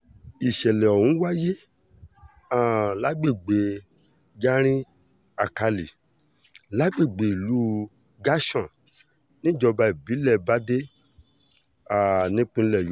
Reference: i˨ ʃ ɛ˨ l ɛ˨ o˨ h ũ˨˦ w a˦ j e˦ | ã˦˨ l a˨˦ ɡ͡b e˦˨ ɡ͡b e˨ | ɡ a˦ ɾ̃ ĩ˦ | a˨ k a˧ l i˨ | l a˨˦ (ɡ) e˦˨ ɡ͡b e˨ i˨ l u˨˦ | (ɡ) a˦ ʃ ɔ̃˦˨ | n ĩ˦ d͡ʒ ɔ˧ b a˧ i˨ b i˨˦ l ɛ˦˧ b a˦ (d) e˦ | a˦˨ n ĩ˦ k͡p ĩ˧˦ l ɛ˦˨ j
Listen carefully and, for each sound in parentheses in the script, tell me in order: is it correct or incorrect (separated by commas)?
incorrect, correct, correct